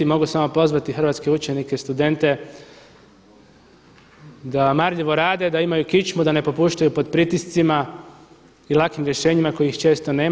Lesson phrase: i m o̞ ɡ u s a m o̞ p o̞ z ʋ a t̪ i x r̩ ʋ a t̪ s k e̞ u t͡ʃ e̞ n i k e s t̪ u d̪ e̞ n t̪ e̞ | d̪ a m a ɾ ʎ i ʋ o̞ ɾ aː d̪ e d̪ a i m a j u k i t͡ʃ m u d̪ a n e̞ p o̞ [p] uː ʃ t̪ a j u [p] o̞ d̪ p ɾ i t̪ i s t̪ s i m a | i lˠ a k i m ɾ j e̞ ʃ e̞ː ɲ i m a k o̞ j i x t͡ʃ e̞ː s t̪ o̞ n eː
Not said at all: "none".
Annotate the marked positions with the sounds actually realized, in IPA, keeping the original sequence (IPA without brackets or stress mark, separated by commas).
p, p